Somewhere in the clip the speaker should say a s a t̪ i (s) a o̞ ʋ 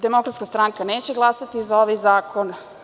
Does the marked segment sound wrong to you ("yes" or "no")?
yes